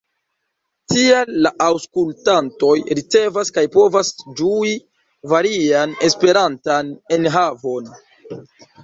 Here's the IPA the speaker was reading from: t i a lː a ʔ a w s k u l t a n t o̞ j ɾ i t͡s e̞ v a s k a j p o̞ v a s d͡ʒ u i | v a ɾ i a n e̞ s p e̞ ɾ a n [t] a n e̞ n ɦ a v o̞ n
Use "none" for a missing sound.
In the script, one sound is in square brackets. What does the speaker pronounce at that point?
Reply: t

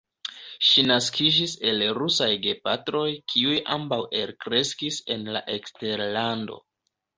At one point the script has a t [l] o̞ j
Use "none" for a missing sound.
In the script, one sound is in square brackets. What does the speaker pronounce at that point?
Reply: ɾ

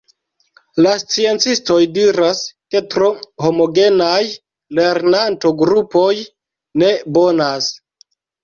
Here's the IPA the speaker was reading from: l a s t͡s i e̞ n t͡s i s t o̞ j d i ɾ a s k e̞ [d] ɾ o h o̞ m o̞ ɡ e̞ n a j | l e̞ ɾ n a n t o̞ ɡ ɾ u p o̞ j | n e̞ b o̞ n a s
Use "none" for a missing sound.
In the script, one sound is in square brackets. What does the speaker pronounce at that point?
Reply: t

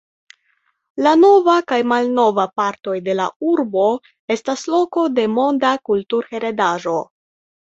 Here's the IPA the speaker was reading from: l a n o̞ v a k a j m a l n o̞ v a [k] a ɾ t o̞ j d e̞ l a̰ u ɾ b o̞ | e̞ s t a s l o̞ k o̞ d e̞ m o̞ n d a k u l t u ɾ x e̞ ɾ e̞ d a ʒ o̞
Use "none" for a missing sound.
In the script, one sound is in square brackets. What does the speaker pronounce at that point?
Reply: p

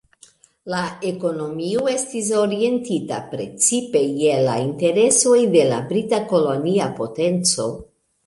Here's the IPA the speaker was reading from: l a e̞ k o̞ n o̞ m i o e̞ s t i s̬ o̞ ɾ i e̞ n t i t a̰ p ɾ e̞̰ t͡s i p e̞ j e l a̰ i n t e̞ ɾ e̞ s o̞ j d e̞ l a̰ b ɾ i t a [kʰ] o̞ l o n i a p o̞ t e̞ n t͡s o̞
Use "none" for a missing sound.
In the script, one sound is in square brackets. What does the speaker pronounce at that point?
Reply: k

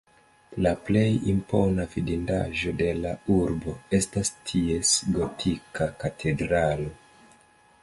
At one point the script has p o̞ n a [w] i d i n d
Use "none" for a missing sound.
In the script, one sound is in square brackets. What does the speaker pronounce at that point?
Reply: v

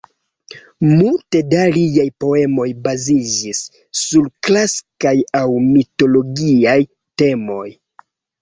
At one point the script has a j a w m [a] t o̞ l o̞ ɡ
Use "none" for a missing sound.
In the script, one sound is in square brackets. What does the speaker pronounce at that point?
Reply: i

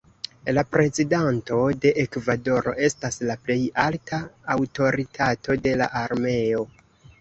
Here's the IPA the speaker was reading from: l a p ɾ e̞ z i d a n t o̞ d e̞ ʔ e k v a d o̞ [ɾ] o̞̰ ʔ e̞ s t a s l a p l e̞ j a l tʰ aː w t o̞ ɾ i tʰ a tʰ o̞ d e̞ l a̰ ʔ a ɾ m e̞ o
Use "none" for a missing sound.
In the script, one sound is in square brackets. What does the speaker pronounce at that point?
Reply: ɾ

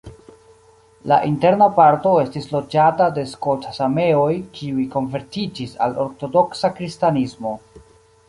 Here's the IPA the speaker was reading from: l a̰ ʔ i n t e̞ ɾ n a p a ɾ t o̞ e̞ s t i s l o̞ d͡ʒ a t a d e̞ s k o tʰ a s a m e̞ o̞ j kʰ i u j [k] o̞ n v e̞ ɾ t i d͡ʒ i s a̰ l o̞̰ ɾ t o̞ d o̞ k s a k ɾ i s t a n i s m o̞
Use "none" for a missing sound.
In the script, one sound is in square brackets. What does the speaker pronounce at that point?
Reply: k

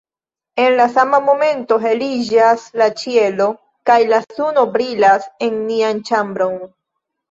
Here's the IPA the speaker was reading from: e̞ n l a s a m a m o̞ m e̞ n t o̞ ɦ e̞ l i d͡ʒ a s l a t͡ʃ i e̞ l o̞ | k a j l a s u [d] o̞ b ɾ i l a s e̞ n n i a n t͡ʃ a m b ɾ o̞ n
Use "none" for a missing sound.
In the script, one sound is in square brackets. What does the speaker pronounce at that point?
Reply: n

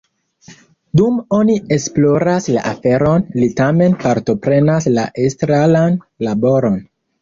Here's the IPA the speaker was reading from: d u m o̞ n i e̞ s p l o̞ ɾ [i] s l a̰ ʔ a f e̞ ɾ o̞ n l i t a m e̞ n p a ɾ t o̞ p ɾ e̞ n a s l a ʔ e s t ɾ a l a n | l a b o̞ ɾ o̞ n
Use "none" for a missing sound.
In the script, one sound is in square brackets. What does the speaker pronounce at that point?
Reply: a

